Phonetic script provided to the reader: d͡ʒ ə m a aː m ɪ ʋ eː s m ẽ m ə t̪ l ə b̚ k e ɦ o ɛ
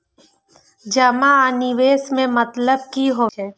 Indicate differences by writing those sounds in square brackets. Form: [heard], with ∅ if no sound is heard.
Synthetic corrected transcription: d͡ʒ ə m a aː [n] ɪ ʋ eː s m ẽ m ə t̪ l ə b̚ k [i] ɦ o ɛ